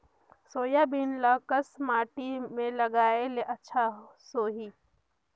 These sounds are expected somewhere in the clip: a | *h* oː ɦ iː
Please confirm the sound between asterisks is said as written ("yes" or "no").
no